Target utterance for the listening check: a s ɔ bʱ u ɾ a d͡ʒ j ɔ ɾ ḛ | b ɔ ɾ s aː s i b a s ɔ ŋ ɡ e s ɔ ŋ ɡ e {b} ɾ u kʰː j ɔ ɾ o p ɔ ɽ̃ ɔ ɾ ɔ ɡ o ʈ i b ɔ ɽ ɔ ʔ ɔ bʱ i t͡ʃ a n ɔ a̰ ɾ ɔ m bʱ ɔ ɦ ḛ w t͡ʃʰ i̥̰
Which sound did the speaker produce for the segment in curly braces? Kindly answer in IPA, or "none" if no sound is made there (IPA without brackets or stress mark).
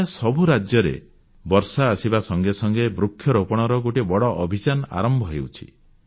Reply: b